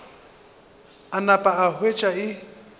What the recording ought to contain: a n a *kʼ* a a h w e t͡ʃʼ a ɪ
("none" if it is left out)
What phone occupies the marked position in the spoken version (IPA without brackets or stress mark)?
pʼ